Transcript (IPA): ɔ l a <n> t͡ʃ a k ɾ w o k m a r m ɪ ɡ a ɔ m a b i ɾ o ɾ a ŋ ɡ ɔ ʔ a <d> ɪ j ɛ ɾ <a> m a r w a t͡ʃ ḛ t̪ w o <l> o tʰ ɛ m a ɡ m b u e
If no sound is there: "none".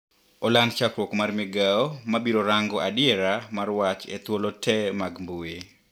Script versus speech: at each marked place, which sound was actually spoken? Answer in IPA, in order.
n, d, a, l

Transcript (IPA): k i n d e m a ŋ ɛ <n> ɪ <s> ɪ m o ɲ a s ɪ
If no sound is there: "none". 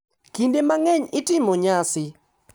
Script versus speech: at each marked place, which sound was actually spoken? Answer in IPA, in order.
ɲ, t

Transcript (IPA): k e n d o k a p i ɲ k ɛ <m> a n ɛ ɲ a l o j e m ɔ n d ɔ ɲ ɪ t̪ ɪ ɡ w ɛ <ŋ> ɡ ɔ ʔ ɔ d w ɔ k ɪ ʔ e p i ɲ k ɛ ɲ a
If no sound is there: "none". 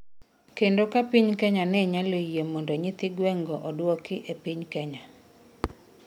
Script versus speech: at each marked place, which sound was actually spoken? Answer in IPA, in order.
ɲ, ŋ

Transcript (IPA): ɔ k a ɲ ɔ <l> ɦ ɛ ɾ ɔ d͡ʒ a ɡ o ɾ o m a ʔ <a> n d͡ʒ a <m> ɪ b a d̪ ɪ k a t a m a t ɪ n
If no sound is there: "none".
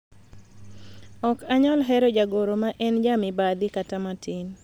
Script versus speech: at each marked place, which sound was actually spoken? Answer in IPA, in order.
l, ɛ, m

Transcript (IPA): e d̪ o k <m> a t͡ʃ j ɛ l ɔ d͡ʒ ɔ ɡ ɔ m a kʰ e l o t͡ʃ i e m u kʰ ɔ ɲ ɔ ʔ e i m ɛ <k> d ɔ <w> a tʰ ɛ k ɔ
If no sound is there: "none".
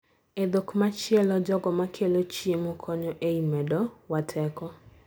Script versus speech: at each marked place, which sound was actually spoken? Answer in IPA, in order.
m, none, w

